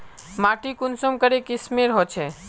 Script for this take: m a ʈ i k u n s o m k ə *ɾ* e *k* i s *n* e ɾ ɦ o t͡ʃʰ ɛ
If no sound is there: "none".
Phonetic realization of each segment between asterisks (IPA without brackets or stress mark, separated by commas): ɾ, k, m